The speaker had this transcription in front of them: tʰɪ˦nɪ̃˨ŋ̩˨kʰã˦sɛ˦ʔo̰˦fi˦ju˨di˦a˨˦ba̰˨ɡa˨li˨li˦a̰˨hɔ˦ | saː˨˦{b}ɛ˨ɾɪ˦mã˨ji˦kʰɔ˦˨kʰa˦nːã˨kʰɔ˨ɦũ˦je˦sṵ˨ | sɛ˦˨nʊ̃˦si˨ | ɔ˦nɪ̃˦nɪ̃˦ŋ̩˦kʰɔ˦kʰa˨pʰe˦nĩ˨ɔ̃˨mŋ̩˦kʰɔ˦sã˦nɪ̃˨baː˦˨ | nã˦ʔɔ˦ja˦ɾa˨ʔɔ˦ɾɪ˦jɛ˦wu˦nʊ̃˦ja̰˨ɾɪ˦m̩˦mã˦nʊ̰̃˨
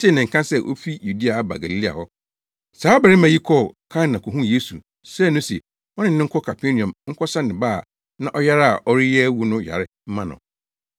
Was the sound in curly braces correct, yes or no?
yes